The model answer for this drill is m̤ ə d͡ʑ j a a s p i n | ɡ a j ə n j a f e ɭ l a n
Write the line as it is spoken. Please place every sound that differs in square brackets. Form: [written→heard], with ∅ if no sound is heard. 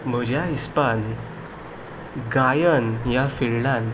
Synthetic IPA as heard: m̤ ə d͡ʑ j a [a→i] s p [i→a] n | ɡ a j ə n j a f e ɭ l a n

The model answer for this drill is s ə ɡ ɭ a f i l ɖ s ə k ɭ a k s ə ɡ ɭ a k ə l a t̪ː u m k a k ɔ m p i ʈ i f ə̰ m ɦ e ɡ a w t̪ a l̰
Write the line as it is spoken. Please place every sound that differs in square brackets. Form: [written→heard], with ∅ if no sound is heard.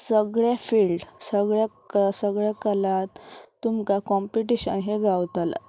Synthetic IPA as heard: s ə ɡ ɭ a f i l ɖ s ə [k→ɡ] ɭ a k s ə ɡ ɭ a k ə l a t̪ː u m k a k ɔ m p i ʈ i [f→ɕ] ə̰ [m→n] ɦ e ɡ a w t̪ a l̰

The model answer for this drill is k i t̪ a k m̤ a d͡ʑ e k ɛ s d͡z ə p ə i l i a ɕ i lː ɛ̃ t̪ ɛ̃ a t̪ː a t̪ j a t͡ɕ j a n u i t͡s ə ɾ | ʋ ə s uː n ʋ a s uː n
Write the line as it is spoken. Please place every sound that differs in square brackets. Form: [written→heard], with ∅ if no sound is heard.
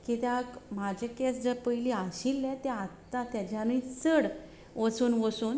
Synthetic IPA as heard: k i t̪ a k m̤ a d͡ʑ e k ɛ s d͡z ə p ə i l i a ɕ i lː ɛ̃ t̪ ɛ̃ a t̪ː a t̪ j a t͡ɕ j a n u i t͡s ə [ɾ→ɽ] | ʋ ə s uː n ʋ [a→ə] s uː n

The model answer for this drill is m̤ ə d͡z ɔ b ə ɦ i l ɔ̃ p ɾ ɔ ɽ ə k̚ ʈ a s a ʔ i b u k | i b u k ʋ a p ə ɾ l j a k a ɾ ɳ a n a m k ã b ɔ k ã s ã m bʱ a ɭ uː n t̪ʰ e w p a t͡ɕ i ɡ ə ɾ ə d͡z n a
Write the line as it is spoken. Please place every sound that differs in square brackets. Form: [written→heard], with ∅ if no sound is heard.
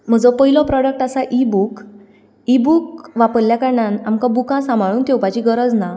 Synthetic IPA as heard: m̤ ə d͡z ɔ [b→p] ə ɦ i l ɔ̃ p ɾ ɔ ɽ ə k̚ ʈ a s a ʔ i b u k | i b u k ʋ a p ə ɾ l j a k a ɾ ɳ a n a m k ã b [ɔ→u] k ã s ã m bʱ a ɭ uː n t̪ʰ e w p a t͡ɕ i ɡ ə ɾ ə d͡z n a

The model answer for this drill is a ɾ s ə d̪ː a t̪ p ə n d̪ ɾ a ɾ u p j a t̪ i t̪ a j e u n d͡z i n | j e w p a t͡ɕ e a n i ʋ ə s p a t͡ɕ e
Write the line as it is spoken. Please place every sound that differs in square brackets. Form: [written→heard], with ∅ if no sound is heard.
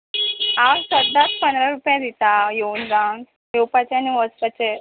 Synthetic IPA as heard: a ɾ s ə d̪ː a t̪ p ə n d̪ ɾ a ɾ u p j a [t̪→d̪] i t̪ a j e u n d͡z [i→a] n | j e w p a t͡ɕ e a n i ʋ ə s p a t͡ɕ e

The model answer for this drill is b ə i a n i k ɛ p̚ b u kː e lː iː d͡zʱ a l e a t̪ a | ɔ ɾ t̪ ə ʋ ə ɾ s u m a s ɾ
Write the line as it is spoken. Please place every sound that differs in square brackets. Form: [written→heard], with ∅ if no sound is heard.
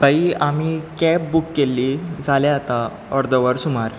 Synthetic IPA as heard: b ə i a [n→m] i k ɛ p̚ b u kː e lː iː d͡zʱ a l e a t̪ a | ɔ ɾ [t̪→d̪] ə ʋ ə ɾ s u m a [s→∅] ɾ

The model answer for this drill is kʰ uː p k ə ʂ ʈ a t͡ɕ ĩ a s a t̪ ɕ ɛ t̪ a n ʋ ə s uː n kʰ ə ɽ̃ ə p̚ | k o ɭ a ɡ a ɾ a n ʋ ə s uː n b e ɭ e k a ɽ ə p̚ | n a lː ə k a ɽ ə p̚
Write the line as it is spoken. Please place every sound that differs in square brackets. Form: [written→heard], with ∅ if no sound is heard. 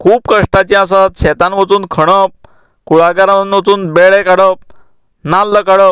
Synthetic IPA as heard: kʰ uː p k ə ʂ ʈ a t͡ɕ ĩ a s a t̪ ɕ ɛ t̪ a n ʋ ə [s→t͡s] uː n kʰ ə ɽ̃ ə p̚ | k [o→u] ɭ a ɡ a ɾ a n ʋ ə [s→t͡s] uː n b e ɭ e k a ɽ ə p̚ | n a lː ə k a ɽ ə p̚

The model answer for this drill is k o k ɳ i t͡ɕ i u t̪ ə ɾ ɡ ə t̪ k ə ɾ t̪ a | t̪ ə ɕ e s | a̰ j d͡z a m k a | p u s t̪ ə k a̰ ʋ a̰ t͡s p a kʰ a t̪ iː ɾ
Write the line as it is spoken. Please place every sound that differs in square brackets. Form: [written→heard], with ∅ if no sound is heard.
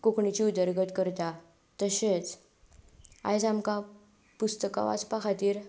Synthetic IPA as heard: k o k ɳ i t͡ɕ i u [t̪→d̪] ə ɾ ɡ ə t̪ k ə ɾ t̪ a | t̪ ə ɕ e [s→t͡s] | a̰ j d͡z a m k a | p u s t̪ ə k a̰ ʋ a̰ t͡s p a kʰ a t̪ iː ɾ

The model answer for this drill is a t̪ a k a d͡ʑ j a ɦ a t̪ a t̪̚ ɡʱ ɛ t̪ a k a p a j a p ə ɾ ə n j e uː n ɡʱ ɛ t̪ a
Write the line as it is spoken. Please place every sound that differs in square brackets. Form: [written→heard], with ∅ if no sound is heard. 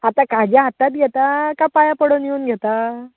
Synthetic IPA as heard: a t̪ a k a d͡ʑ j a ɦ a t̪ a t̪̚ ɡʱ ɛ t̪ a k a p a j a p ə [ɾ→ɽ] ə n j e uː n ɡʱ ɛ t̪ a

